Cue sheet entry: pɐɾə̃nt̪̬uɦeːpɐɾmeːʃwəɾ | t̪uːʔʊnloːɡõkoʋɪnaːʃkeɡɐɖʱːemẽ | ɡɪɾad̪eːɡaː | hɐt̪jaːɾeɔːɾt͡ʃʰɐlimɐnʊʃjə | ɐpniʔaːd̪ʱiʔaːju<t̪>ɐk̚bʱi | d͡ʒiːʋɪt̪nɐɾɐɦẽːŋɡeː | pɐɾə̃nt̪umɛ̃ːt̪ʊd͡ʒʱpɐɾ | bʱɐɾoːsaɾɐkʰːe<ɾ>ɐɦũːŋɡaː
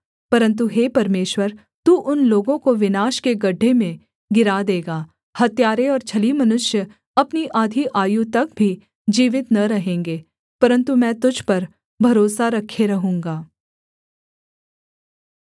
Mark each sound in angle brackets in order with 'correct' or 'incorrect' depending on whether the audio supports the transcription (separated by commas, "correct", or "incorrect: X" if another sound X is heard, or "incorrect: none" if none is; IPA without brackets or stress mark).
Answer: correct, correct